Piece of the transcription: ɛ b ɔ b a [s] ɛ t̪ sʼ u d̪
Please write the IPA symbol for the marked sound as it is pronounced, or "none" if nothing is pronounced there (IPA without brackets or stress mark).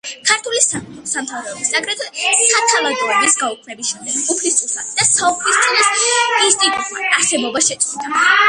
ʃ